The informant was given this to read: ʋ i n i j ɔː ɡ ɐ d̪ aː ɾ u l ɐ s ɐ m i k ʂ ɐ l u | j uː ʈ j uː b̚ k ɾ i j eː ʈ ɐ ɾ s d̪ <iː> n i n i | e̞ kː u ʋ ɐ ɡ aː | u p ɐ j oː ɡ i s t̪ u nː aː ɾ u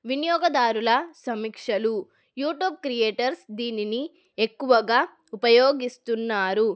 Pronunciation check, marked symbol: correct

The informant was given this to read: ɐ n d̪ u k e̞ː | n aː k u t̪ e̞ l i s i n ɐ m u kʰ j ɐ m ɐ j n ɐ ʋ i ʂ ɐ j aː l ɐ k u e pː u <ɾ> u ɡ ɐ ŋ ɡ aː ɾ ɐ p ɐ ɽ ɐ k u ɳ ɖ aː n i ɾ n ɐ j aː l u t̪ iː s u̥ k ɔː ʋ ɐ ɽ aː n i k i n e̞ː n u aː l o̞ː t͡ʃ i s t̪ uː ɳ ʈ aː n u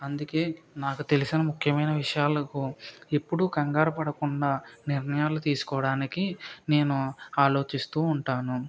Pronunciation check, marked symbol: incorrect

